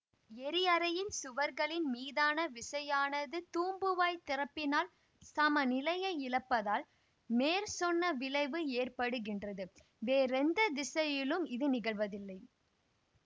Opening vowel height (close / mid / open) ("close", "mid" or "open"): mid